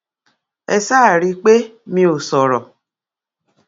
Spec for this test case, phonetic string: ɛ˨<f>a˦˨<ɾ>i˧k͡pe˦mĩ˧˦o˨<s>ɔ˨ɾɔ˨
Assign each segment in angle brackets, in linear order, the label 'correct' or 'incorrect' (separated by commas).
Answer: incorrect, correct, correct